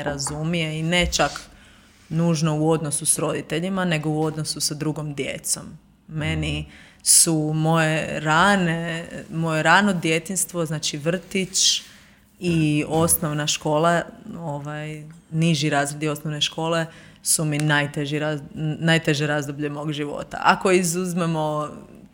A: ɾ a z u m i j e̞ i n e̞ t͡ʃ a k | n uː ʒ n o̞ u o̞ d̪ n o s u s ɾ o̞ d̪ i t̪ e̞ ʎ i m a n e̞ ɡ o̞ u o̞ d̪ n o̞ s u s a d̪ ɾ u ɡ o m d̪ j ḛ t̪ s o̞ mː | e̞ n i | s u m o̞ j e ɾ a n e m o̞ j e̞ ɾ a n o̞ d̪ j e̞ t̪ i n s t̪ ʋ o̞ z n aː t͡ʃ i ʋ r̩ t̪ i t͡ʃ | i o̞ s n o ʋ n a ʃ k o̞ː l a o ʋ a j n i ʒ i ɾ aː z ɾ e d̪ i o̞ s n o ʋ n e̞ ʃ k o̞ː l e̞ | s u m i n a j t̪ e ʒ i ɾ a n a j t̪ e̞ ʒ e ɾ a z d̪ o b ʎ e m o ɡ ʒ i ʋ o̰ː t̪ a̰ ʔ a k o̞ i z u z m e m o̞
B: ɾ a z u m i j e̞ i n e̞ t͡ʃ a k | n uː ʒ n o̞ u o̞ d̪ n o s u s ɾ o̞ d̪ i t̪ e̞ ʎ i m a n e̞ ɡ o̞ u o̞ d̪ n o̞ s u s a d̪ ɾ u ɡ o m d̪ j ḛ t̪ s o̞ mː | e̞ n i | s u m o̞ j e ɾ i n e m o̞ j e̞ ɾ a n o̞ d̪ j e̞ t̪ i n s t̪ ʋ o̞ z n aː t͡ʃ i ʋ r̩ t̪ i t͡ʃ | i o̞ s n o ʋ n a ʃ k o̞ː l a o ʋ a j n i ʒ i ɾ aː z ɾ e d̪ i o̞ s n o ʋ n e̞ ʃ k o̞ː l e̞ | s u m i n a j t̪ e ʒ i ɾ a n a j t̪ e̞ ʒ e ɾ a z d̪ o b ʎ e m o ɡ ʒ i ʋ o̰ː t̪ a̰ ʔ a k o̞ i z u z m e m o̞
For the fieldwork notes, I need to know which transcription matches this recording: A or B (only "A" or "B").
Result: A